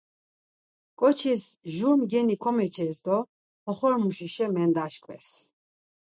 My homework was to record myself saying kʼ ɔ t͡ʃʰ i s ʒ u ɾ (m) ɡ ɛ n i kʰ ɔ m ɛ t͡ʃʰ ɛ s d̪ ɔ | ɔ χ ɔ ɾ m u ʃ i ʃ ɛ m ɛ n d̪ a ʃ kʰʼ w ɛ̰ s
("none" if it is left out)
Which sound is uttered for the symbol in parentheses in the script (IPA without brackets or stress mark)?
m